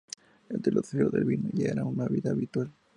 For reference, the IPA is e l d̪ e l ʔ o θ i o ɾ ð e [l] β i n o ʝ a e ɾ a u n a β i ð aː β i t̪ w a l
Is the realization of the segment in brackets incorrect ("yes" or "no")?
no